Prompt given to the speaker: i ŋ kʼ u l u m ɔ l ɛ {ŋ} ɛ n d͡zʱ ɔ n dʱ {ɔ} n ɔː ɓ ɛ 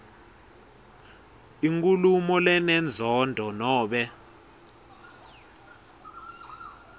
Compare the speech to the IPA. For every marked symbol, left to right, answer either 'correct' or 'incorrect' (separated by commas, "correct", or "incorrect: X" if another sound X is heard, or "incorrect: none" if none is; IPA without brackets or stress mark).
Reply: incorrect: n, correct